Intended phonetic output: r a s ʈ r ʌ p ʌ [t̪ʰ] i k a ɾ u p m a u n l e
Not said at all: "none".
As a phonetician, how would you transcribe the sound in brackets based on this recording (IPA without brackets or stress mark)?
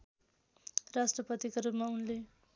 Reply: t̪